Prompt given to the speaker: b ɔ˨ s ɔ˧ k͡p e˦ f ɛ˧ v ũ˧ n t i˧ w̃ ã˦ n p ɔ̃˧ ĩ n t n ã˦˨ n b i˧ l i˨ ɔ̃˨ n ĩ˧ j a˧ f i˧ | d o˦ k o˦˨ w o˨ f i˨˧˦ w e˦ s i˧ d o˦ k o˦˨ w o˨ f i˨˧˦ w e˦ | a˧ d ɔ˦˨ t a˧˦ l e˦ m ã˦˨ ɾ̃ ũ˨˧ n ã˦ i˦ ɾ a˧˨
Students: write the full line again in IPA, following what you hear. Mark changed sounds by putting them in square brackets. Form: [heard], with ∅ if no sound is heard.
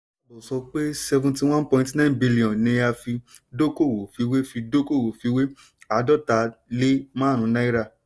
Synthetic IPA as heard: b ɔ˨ s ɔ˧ k͡p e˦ [s] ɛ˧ v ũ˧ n t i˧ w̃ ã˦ n p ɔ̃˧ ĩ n t n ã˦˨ n b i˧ l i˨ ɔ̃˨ n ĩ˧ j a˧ f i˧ | d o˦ k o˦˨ w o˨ f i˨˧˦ w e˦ [f] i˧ d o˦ k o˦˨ w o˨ f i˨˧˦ w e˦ | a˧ d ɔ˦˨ t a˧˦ l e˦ m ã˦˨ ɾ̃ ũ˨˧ n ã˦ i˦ ɾ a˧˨